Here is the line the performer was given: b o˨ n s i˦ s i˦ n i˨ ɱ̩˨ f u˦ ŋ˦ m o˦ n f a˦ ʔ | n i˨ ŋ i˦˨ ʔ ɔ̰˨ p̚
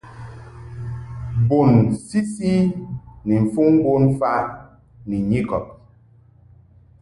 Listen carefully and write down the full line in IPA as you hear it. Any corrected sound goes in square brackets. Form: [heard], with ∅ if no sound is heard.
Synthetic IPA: b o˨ n s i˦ s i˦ n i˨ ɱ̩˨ f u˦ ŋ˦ [b] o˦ n f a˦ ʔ | n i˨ [ɲ] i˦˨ [k] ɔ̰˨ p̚

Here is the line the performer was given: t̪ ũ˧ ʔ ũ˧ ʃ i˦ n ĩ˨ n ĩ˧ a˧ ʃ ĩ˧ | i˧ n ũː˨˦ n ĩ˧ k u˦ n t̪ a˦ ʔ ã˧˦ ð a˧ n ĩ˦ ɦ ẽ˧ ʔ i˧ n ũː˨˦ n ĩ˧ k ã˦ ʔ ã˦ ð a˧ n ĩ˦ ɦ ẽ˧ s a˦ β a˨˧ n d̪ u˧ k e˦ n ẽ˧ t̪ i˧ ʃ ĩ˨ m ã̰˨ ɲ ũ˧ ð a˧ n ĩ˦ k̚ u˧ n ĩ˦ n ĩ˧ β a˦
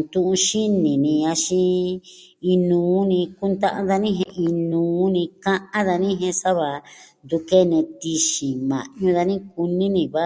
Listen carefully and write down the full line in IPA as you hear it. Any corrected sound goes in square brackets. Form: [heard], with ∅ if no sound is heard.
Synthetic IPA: t̪ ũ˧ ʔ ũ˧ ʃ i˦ n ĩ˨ n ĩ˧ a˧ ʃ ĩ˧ | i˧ n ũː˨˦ n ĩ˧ k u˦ n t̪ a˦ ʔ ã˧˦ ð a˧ n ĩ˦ ɦ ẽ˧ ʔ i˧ n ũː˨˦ n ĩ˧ k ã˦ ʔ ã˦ ð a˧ n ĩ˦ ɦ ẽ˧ s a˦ β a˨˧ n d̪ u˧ k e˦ n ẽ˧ t̪ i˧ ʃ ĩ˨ m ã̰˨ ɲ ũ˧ ð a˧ n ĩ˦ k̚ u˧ n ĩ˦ n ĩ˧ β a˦

